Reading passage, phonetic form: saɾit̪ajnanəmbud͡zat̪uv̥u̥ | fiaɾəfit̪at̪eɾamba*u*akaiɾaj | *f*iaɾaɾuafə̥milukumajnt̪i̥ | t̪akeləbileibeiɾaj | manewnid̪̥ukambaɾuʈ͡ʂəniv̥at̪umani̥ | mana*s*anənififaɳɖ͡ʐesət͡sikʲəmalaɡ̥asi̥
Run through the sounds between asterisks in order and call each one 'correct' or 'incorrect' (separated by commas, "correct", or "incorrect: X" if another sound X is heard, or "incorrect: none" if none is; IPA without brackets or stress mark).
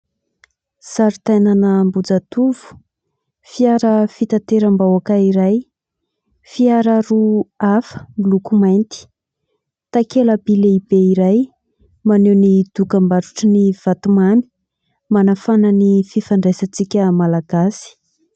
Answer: incorrect: w, correct, incorrect: f